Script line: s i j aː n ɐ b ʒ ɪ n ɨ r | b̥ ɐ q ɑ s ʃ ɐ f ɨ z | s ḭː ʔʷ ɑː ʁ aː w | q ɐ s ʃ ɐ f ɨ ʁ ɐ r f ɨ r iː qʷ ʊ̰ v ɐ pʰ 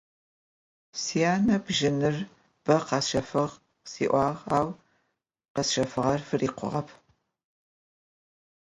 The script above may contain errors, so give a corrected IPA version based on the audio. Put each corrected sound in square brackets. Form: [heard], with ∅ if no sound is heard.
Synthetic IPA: s i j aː n ɐ b ʒ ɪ n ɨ r | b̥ ɐ q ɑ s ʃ ɐ f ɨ [ʁ] | s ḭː ʔʷ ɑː ʁ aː w | q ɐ s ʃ ɐ f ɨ ʁ ɐ r f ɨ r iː qʷ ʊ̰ [ʁ] ɐ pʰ